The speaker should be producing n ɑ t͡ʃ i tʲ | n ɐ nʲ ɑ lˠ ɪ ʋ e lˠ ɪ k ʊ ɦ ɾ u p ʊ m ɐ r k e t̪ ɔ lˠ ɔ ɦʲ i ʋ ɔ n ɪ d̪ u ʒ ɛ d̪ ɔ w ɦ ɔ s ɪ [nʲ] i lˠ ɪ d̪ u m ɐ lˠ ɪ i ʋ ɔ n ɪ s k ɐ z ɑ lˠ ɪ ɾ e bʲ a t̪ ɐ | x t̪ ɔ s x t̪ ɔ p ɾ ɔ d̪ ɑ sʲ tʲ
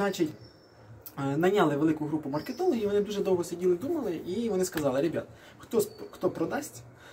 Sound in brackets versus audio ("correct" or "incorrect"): incorrect